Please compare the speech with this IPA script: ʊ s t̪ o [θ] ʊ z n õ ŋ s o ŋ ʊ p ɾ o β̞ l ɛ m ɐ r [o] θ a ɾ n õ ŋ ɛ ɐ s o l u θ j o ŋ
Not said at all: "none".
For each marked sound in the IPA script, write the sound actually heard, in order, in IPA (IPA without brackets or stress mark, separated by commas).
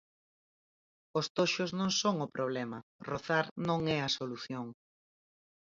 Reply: ʃ, o